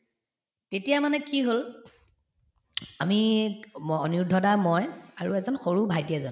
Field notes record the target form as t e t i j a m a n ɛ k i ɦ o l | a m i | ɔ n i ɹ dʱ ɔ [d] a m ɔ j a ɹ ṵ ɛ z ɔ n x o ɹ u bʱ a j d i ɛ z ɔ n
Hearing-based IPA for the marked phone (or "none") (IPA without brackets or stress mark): d